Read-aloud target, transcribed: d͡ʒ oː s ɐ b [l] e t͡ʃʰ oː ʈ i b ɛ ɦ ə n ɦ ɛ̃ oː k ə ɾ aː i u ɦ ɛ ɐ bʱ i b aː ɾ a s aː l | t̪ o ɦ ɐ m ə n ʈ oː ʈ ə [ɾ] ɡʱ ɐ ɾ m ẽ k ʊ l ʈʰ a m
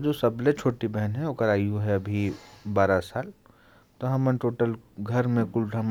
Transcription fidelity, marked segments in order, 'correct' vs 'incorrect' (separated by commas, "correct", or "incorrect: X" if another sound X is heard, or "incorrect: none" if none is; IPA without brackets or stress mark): correct, incorrect: l